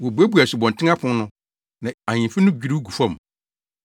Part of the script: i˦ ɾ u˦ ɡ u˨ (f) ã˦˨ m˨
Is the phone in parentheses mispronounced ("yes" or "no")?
no